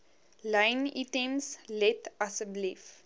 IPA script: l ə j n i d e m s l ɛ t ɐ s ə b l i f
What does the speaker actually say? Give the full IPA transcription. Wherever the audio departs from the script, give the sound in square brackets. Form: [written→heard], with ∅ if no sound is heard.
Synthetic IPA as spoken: l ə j n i [d→t] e m s l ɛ t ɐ s ə b l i f